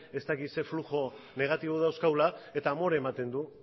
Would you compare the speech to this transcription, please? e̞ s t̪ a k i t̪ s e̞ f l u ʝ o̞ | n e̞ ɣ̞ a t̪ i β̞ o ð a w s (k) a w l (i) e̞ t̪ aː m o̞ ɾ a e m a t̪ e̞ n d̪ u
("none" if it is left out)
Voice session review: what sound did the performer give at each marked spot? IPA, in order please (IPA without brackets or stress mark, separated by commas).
k, a